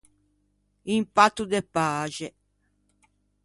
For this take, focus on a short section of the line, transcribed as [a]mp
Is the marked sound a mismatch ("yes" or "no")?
yes